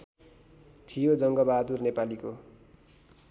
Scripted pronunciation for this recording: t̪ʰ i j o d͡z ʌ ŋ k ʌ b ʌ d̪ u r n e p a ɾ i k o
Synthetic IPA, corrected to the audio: t̪ʰ i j o d͡z ʌ ŋ ɡ ʌ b a d̪ u r n e p a l i k o